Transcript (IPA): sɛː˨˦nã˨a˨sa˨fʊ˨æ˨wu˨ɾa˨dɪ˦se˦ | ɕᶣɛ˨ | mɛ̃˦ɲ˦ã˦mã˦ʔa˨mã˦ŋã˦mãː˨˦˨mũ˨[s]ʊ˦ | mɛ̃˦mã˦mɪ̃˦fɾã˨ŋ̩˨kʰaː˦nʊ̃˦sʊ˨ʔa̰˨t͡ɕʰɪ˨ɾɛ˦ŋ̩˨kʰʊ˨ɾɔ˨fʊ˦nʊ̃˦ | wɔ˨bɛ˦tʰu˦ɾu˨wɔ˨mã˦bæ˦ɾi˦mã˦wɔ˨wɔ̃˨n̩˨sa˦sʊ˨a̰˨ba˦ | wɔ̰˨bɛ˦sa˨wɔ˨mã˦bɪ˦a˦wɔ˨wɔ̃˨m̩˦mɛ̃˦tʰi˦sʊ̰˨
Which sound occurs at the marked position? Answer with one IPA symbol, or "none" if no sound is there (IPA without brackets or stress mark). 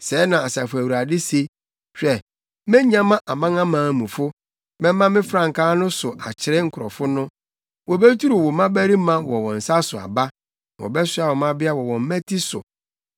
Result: f